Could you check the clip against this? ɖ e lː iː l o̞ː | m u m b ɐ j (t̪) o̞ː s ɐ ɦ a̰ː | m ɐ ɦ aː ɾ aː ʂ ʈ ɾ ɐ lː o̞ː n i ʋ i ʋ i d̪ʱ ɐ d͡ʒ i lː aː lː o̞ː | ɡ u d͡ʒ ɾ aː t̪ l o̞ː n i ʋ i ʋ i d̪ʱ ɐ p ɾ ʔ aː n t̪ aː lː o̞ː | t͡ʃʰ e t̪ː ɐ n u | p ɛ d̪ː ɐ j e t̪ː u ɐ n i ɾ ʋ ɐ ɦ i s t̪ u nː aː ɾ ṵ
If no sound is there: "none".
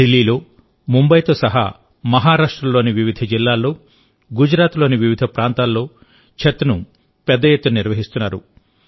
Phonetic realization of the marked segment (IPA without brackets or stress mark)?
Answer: t̪